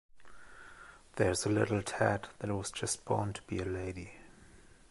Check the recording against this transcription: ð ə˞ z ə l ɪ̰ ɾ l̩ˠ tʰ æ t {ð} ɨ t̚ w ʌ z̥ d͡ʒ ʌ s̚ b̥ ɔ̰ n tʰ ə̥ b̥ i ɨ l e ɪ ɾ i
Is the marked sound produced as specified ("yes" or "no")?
yes